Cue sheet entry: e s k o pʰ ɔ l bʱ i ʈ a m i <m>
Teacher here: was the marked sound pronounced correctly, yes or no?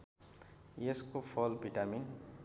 no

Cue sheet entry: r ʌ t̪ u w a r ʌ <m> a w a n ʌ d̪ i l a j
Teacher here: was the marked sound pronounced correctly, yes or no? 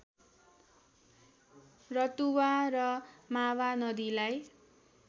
yes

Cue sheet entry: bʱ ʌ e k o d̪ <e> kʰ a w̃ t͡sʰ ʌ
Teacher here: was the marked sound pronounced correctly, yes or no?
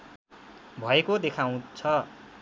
yes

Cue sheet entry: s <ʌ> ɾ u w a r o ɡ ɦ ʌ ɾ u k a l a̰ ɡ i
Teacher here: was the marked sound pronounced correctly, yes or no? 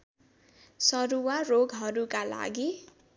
yes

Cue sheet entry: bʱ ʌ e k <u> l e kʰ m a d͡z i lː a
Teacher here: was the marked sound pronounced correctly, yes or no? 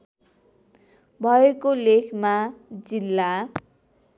no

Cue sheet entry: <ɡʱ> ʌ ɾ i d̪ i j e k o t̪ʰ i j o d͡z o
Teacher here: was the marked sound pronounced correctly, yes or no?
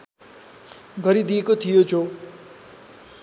yes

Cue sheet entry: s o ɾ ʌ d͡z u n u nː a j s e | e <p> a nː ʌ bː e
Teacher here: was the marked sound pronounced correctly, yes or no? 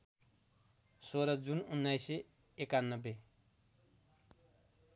no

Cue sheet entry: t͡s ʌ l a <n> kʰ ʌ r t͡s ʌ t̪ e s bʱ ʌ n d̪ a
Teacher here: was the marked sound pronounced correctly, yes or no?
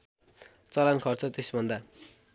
yes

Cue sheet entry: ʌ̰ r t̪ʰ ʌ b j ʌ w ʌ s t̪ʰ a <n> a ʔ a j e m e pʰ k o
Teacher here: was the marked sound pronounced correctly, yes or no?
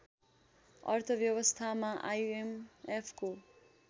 no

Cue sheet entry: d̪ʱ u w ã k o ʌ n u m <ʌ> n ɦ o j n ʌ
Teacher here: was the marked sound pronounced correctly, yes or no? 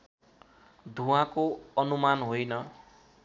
no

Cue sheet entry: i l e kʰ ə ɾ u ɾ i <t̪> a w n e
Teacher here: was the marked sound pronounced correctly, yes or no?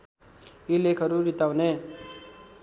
yes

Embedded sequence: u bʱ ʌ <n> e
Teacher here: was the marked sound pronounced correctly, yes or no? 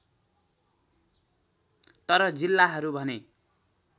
yes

